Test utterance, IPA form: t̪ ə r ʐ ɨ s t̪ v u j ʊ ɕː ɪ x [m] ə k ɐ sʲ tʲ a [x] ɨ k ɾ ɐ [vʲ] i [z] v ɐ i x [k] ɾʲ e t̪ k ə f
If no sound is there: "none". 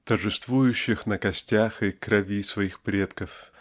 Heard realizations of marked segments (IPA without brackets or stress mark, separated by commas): n, x, vʲ, s, p